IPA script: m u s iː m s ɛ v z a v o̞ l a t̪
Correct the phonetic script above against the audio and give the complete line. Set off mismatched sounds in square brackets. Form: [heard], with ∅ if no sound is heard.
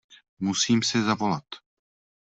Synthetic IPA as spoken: m u s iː m s ɛ [∅] z a v o̞ l a t̪